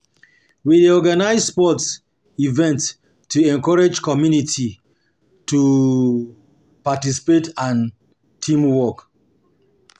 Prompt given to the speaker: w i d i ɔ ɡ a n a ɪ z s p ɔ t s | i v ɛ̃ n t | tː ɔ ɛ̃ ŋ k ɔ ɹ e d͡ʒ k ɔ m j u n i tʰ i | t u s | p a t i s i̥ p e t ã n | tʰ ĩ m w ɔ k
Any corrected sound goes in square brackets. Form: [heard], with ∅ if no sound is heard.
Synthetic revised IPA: w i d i ɔ ɡ a n a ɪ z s p ɔ t s | i v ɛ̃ n t | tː [u] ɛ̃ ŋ k ɔ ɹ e d͡ʒ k ɔ m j u n i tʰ i | t u [∅] | p a t i s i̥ p e t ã n | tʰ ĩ m w ɔ k